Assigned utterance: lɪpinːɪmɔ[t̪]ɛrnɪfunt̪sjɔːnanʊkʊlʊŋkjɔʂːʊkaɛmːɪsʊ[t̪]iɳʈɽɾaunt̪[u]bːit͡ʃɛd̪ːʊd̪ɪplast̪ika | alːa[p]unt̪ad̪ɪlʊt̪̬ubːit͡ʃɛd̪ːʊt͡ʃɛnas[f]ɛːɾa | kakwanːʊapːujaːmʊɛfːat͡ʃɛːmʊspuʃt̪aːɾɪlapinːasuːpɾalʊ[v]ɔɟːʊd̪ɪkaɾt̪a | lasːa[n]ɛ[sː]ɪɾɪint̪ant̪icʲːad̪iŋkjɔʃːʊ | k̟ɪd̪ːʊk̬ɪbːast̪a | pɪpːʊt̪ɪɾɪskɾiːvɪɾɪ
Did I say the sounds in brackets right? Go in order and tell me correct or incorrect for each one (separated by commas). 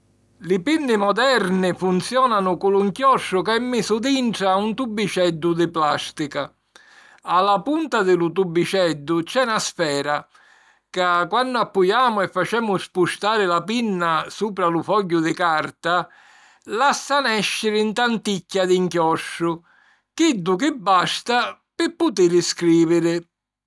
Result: incorrect, incorrect, correct, correct, correct, incorrect, correct, incorrect